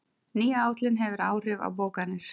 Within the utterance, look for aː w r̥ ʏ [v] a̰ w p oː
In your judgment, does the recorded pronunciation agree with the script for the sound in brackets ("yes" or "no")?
yes